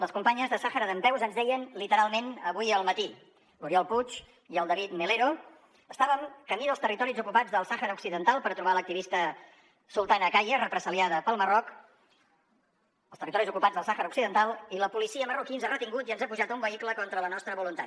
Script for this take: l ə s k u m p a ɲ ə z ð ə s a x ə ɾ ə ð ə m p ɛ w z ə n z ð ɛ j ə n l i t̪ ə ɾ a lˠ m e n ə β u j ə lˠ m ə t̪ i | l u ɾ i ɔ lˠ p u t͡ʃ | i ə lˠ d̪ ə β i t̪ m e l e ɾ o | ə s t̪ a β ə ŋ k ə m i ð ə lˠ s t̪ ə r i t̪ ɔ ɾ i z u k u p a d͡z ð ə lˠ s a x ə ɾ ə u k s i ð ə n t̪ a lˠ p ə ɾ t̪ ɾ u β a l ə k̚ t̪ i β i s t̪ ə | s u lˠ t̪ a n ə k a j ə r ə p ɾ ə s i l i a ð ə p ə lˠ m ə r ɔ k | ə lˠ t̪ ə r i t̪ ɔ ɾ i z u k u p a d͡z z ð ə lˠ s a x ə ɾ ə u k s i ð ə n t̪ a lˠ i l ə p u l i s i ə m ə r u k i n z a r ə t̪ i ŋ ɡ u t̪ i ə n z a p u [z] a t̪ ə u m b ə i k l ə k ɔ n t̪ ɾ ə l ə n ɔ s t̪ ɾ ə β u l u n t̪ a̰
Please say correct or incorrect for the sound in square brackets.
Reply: incorrect: ʒ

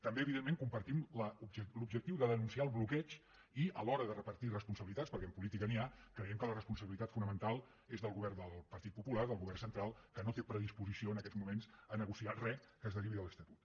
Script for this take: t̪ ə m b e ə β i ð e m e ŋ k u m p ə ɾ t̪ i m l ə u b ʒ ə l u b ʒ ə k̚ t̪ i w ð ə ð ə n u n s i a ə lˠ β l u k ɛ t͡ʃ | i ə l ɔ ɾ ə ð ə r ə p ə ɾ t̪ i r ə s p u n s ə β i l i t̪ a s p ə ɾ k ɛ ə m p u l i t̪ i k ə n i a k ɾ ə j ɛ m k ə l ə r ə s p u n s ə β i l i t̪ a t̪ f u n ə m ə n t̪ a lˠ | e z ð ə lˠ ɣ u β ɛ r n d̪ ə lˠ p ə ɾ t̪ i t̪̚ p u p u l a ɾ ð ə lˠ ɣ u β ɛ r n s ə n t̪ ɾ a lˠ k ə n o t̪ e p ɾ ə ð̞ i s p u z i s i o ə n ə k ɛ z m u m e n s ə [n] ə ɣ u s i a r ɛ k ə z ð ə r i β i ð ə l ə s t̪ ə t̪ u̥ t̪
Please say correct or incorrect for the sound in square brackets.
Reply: correct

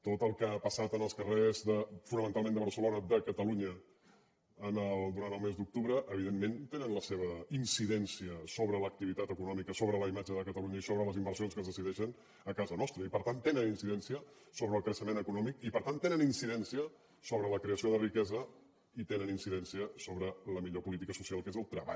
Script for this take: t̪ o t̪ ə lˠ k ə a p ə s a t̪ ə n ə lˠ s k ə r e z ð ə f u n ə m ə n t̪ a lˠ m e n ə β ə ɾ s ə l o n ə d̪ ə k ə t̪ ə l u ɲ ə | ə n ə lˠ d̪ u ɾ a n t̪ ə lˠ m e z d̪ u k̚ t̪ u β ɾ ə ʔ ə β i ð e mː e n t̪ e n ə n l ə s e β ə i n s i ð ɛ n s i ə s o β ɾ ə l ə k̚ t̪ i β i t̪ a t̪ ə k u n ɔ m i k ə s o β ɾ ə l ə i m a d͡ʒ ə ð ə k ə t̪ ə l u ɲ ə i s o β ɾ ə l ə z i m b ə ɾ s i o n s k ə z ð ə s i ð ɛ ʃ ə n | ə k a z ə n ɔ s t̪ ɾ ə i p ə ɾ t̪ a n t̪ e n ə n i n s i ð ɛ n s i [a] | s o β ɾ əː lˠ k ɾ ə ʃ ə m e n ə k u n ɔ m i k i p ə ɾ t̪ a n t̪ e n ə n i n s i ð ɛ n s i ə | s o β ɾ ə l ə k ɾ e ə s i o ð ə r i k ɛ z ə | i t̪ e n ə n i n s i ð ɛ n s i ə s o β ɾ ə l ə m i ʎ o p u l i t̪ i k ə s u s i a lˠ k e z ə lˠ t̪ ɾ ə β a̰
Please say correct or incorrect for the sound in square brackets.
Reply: incorrect: ə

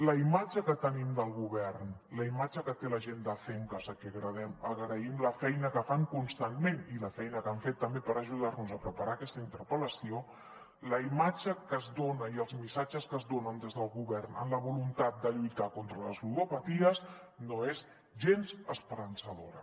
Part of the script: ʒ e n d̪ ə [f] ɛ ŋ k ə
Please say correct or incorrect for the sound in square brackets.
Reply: correct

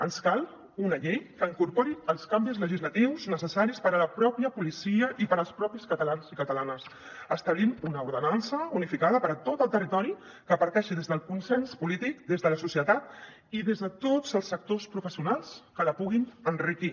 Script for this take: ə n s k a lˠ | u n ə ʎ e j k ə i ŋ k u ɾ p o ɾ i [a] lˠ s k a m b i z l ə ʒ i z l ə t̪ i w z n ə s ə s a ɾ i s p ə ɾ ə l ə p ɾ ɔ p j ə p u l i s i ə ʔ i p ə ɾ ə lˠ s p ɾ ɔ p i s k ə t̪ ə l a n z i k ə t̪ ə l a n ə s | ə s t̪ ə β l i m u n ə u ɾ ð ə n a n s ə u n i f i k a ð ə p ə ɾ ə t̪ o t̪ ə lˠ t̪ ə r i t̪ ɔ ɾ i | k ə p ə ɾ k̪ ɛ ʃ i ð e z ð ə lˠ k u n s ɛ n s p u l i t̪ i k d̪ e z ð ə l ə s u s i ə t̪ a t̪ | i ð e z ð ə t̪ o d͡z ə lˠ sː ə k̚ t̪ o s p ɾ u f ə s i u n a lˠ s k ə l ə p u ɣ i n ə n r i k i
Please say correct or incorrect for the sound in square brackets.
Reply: incorrect: ə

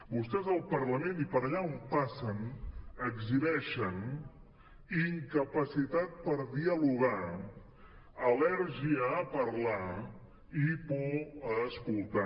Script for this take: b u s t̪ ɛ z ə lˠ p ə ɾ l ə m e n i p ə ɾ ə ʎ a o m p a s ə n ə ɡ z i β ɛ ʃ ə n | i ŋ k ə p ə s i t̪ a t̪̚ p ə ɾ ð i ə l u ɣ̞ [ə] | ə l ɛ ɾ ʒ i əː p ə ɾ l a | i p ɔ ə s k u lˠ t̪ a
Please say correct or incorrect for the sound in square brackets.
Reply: incorrect: a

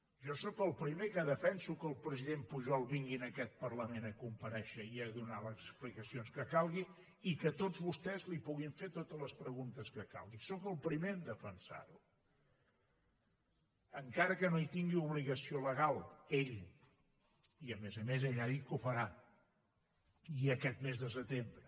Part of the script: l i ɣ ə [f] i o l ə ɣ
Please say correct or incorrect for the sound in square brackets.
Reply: incorrect: s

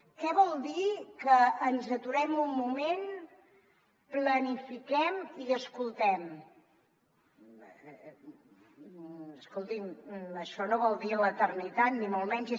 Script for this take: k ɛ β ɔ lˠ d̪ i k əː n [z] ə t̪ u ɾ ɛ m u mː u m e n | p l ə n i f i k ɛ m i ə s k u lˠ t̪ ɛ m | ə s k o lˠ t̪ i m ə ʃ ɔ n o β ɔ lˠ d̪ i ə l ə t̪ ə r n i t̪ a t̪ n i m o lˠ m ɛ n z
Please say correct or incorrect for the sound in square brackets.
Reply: correct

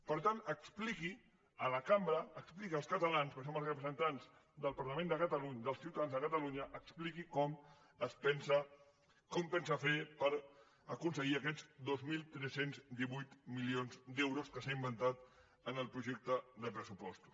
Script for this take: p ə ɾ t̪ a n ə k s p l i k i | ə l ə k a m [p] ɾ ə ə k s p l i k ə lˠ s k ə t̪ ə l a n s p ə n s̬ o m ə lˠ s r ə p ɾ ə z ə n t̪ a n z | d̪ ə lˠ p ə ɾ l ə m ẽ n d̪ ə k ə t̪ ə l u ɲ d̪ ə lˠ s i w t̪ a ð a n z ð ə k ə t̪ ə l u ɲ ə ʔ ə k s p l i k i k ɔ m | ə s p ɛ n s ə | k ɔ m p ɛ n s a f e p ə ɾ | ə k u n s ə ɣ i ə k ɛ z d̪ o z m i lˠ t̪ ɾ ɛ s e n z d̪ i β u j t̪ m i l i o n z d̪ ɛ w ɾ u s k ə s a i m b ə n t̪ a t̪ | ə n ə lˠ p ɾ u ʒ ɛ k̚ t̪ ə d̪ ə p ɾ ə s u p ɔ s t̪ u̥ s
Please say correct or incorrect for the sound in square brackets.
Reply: incorrect: b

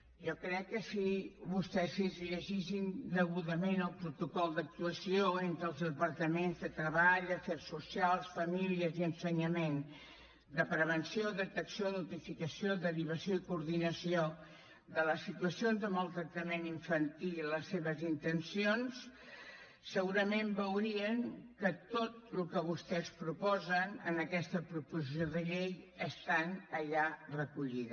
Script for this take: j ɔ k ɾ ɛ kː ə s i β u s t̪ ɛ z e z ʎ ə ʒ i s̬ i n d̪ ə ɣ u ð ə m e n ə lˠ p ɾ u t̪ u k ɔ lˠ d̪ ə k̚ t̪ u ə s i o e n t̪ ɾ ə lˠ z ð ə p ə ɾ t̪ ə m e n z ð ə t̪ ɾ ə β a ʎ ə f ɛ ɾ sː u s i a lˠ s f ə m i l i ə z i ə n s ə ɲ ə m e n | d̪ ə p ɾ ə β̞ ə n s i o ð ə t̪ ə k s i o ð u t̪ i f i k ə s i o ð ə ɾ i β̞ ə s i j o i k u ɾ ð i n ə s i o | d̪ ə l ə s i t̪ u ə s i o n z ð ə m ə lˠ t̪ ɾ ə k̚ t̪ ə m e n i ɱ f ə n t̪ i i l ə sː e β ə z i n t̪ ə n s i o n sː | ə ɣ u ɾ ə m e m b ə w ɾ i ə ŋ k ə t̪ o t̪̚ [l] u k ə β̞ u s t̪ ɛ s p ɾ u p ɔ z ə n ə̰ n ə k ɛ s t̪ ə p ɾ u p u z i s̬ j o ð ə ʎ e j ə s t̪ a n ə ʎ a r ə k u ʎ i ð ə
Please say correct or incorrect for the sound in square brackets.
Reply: correct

